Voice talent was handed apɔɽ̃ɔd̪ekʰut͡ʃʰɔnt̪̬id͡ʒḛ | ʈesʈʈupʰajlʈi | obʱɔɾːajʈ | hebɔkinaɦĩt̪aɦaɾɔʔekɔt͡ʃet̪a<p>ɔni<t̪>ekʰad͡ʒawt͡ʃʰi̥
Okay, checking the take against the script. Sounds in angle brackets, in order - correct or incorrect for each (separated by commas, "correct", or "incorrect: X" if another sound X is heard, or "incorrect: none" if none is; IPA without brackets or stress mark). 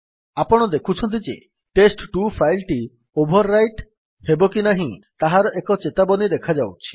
incorrect: b, incorrect: d̪